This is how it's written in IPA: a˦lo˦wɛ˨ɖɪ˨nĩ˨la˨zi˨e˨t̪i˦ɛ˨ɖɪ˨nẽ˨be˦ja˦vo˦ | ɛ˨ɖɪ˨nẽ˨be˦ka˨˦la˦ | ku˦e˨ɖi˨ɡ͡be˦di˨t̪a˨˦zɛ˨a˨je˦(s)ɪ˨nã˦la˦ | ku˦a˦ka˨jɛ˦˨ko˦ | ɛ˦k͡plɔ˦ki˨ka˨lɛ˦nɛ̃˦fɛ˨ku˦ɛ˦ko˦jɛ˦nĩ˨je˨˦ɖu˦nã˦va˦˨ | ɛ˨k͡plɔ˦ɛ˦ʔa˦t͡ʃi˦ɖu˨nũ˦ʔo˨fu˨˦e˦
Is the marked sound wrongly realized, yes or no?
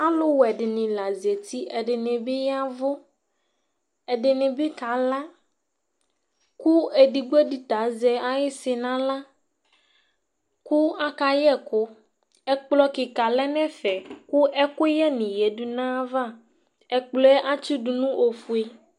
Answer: no